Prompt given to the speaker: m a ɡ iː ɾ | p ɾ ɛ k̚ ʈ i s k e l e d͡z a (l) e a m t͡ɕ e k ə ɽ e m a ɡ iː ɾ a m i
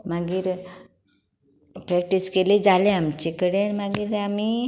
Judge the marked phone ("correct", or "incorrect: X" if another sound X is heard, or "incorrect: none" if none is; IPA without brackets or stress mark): correct